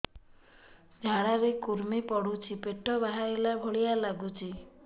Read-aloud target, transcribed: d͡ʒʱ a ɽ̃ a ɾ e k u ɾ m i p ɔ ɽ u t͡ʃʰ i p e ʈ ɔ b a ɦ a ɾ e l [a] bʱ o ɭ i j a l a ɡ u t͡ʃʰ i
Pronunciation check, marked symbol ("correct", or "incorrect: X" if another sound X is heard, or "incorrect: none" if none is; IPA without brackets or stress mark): correct